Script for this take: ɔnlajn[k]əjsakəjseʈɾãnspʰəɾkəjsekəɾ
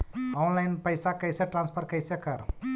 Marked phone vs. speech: incorrect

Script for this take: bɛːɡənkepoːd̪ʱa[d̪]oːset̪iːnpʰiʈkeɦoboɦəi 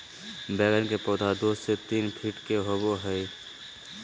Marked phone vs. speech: correct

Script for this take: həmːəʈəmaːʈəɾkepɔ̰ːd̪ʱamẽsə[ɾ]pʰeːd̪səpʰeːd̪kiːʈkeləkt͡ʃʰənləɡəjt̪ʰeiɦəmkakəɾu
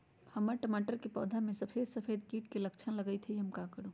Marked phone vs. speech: incorrect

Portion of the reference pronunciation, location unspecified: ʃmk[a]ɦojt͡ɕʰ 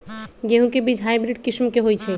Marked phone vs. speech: incorrect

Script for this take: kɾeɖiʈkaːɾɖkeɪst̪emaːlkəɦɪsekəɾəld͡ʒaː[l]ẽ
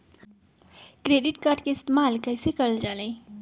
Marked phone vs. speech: correct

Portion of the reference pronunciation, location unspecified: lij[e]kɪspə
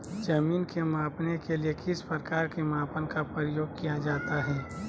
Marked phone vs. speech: correct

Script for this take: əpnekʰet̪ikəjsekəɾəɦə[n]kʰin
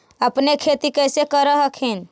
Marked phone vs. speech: incorrect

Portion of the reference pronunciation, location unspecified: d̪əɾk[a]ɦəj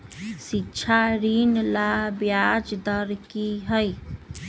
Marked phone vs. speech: incorrect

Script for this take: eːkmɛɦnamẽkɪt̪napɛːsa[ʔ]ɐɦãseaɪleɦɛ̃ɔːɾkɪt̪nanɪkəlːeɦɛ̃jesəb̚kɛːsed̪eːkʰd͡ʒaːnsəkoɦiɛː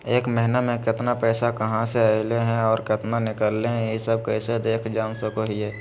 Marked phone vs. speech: incorrect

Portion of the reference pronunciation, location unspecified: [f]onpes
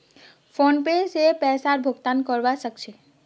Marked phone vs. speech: correct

